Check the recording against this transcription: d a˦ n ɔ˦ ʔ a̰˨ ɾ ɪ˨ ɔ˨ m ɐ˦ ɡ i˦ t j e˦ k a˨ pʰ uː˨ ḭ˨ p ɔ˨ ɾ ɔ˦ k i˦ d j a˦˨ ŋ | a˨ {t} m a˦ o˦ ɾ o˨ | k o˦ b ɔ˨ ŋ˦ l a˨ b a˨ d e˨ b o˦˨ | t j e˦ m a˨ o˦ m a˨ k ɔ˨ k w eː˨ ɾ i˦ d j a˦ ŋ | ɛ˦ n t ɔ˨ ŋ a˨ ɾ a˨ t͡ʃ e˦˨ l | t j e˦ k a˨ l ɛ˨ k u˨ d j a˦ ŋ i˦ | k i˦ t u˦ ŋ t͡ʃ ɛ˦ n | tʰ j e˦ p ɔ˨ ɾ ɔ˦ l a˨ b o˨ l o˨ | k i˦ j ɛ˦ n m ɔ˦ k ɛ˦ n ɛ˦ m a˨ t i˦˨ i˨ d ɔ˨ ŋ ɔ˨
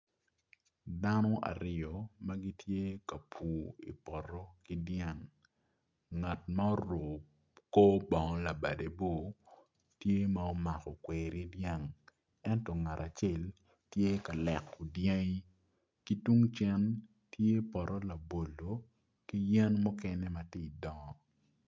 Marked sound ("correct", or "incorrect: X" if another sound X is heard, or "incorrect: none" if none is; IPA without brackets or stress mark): correct